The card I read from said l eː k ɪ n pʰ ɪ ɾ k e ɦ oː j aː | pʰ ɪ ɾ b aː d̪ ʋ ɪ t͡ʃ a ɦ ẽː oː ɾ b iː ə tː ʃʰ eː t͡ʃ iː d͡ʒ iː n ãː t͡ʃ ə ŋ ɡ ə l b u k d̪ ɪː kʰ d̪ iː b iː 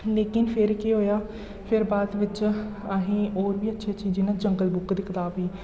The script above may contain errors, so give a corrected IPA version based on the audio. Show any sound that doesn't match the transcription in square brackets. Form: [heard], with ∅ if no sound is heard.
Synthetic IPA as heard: l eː k ɪ n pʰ ɪ ɾ k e ɦ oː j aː | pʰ ɪ ɾ b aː d̪ ʋ ɪ t͡ʃ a ɦ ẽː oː ɾ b iː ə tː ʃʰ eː t͡ʃ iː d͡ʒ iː n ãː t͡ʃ ə ŋ ɡ ə l b [ʊ] k d̪ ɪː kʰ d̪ [aː] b iː